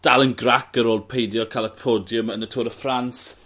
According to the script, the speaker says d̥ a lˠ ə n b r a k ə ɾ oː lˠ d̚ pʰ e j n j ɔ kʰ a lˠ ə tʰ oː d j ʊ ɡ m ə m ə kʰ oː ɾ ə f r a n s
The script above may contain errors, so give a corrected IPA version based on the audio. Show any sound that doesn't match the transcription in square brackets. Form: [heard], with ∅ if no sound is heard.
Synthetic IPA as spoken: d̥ a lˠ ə n [ɡ] r a k ə ɾ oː lˠ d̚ pʰ e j [d] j ɔ kʰ a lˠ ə [pʰ] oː d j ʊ [∅] m ə [n] ə [tʰ] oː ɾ ə f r a n s